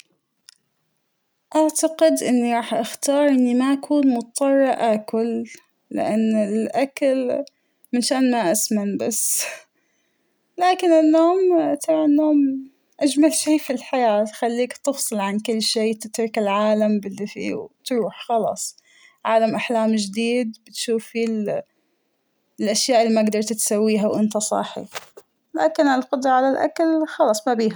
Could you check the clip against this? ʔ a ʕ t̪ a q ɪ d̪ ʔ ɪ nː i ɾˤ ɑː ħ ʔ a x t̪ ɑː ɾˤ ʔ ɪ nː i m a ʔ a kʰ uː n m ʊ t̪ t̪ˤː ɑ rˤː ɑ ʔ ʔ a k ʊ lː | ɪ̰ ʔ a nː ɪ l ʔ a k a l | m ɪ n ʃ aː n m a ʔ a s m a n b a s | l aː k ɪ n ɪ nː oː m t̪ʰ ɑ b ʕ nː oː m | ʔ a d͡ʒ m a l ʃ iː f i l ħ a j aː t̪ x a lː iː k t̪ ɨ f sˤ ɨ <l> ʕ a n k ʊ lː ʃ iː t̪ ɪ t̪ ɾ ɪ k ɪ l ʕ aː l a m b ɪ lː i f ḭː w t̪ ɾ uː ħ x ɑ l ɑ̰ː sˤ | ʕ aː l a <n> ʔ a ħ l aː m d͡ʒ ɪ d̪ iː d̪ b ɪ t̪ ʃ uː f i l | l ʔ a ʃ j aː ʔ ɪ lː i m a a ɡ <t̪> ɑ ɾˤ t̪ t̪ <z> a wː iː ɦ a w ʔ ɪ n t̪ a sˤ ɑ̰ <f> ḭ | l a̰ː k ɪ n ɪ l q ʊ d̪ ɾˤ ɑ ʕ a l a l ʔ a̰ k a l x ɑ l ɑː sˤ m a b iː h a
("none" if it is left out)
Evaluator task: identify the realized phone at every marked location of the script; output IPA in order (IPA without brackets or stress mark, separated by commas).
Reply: l, m, d̪, s, ħ